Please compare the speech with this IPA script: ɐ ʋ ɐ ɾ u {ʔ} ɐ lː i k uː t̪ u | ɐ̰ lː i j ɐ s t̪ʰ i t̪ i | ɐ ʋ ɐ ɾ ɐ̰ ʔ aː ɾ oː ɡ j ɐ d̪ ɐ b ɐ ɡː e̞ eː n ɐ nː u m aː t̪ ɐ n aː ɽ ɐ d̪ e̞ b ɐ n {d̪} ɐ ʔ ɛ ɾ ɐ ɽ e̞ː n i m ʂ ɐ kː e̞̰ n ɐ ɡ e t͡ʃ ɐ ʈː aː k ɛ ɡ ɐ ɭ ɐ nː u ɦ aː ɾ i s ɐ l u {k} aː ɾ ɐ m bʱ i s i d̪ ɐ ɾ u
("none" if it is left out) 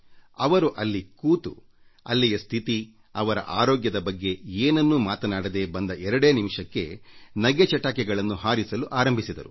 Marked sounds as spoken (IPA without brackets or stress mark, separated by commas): ʔ, d̪, ʔ